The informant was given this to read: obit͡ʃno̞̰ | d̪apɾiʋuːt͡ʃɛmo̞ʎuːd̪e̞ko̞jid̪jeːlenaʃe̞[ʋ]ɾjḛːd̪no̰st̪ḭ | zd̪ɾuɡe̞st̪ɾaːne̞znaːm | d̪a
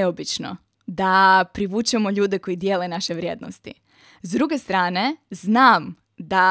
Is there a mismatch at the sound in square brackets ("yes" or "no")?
no